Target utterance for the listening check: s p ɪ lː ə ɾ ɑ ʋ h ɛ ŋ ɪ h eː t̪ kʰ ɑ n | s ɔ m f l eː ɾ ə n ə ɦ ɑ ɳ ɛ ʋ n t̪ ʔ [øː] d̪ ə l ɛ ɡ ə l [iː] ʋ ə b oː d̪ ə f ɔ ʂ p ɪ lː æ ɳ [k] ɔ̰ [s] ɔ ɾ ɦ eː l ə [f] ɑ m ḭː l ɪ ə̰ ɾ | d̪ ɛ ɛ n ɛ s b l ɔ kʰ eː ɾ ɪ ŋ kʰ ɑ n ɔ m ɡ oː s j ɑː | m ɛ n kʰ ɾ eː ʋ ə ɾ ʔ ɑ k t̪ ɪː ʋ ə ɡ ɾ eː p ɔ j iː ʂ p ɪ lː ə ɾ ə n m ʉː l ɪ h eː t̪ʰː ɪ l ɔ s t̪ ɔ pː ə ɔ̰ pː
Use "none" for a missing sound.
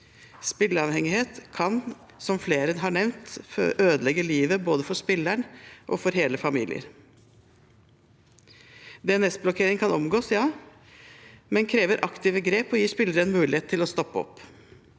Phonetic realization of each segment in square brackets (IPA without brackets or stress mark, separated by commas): øː, iː, ʔ, f, f